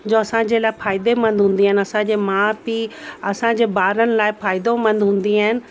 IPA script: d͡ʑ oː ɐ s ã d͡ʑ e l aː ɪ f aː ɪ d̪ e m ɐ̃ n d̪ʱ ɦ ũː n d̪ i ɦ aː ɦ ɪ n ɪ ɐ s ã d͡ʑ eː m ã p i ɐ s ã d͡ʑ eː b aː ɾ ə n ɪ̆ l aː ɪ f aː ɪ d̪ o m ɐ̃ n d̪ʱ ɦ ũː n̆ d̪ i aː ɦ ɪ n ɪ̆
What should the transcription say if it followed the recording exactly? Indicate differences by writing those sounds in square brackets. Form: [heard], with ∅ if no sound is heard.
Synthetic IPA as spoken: d͡ʑ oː ɐ s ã d͡ʑ e l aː ɪ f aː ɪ d̪ e m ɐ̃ n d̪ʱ ɦ ũː n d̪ i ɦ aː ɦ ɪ n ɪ ɐ s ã d͡ʑ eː m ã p i ɐ s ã d͡ʑ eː b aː ɾ ə n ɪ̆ l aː ɪ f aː ɪ d̪ o m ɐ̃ n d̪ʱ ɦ ũː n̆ d̪ i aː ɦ ɪ n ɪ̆